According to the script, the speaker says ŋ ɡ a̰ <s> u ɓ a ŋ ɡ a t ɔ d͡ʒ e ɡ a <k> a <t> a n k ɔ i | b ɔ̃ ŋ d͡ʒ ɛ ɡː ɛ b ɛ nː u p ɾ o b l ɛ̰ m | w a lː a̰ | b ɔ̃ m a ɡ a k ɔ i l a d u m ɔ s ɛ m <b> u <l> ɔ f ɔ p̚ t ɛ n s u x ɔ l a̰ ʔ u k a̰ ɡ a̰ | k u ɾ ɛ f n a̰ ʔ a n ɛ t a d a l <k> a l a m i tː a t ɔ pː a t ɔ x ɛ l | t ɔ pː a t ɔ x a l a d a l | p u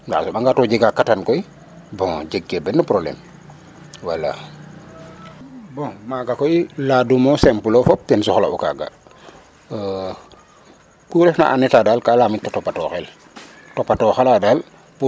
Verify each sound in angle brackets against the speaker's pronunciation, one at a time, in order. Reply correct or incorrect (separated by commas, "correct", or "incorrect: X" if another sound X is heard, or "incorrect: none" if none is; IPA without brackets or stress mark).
correct, correct, correct, incorrect: p, correct, correct